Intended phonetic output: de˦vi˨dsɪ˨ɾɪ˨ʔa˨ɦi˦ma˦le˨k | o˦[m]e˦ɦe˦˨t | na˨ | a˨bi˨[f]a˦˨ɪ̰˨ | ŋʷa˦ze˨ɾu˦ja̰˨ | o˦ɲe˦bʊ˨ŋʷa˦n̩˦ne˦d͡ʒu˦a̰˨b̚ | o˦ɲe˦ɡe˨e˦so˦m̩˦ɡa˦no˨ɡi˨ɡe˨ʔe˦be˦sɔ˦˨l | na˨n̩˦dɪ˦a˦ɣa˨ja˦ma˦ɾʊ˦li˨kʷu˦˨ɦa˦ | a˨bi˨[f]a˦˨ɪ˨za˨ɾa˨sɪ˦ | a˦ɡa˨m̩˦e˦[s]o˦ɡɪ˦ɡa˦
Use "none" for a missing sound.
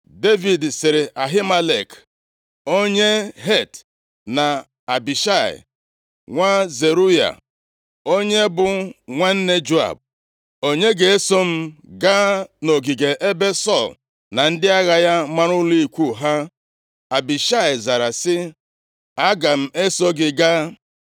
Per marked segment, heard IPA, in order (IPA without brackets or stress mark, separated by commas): ɲ, ʃ, ʃ, s